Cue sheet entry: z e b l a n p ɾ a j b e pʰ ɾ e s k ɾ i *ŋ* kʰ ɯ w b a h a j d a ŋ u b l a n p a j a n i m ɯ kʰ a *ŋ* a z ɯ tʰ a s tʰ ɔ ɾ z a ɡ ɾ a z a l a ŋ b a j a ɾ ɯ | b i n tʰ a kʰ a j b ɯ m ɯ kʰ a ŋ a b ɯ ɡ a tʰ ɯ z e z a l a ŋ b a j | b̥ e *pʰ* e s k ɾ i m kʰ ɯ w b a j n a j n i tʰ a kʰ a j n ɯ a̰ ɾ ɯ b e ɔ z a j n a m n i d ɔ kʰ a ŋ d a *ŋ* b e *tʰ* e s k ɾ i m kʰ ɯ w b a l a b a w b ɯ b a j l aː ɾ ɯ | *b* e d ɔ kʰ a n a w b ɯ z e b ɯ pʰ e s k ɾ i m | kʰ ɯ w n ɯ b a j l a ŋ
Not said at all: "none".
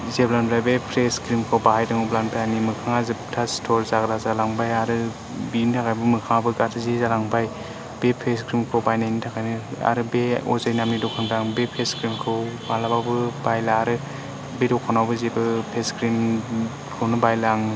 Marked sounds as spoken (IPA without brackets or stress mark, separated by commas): m, ŋ, pʰ, ŋ, pʰ, b